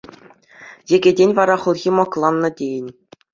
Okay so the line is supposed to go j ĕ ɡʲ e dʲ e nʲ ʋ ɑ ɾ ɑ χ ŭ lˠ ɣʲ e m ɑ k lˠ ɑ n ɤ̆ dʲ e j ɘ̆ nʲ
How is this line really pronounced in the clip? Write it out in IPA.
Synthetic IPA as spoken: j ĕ ɡʲ e dʲ e nʲ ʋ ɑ ɾ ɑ χ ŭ lˠ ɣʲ i m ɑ k lˠ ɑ nː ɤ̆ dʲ e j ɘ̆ nʲ